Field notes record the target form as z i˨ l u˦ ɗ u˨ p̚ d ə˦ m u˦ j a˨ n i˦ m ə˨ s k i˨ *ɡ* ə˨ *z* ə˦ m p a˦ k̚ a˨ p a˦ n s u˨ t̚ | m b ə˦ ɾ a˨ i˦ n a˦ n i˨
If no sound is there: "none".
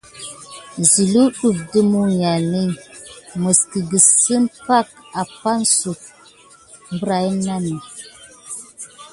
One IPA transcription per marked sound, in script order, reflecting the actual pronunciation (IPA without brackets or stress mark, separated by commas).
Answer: ɡ, s